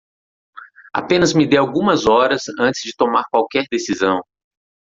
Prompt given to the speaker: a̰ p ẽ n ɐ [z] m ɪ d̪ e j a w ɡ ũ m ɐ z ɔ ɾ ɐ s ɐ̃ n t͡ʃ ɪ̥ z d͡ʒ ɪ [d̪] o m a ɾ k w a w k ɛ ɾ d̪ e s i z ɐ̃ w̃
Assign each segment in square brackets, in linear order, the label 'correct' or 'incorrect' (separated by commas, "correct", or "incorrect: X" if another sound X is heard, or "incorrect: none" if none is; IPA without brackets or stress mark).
correct, incorrect: t̪